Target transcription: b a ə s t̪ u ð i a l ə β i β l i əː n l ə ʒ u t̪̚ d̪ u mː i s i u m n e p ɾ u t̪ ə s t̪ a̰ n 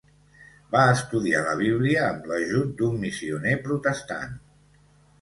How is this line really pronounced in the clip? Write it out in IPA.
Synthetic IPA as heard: b a ə s t̪ u ð i a l ə β i β l i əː m l ə ʒ u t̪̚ d̪ u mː i s i u n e p ɾ u t̪ ə s t̪ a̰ n